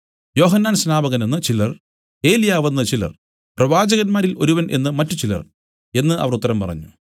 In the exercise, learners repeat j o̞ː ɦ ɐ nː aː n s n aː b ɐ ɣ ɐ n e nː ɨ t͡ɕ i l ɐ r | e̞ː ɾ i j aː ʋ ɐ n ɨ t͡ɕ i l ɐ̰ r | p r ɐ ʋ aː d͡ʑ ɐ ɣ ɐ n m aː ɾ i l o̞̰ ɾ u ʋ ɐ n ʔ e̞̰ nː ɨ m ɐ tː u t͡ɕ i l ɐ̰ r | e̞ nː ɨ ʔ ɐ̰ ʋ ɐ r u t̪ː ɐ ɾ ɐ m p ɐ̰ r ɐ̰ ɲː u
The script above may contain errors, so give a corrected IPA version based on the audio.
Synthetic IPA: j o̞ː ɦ ɐ nː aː n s n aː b ɐ ɣ ɐ n e nː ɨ t͡ɕ i l ɐ r | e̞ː l i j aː ʋ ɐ nː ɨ t͡ɕ i l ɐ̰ r | p r ɐ ʋ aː d͡ʑ ɐ ɣ ɐ n m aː ɾ i l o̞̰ ɾ u ʋ ɐ n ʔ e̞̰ nː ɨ m ɐ tː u t͡ɕ i l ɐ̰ r | e̞ nː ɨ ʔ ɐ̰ ʋ ɐ r u t̪ː ɐ ɾ ɐ m p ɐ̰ r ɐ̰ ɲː u

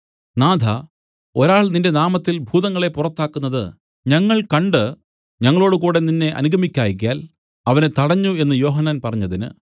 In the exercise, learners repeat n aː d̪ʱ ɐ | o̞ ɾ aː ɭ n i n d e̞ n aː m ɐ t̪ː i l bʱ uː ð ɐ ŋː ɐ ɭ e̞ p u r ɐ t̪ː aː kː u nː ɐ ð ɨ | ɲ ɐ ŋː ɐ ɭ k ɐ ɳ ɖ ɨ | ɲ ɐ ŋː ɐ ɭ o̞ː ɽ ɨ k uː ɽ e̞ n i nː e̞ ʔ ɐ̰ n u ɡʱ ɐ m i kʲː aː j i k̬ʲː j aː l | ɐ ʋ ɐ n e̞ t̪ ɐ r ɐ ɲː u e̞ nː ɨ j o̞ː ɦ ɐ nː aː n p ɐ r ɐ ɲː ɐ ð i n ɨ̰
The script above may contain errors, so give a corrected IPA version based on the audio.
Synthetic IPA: n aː d̪ʱ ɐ | o̞ ɾ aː ɭ n i n d e̞ n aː m ɐ t̪ː i l bʱ uː ð ɐ ŋː ɐ ɭ e̞ p u r ɐ t̪ː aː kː u nː ɐ ð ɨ | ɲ ɐ ŋː ɐ ɭ k ɐ ɳ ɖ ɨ | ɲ ɐ ŋː ɐ ɭ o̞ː ɽ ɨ k uː ɽ e̞ n i nː e̞ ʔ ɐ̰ n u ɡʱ ɐ m i kʲː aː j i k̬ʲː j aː l | ɐ ʋ ɐ n e̞ t̪ ɐ ɽ ɐ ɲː u e̞ nː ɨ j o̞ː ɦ ɐ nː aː n p ɐ r ɐ ɲː ɐ ð i n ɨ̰

